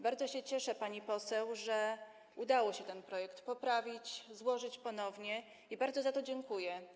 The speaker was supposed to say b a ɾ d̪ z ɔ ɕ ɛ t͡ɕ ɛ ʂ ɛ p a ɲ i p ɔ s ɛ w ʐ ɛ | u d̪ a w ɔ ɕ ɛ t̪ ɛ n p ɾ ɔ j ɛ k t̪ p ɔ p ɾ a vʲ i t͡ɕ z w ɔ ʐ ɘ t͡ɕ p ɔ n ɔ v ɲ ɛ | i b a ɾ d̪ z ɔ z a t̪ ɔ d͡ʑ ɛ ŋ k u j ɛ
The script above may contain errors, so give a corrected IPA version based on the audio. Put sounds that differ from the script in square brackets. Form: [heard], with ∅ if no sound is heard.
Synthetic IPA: b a ɾ d̪ z ɔ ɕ ɛ t͡ɕ ɛ ʂ ɛ p a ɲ i p ɔ s ɛ w ʐ ɛ | u d̪ a w ɔ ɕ ɛ t̪ ɛ n p ɾ ɔ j ɛ k t̪ p ɔ p ɾ a vʲ i t͡ɕ z w ɔ ʐ ɘ t͡ɕ p ɔ n ɔ v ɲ ɛ | i b a ɾ d̪ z ɔ z a t̪ ɔ d͡ʑ ɛ ŋ k u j ɛ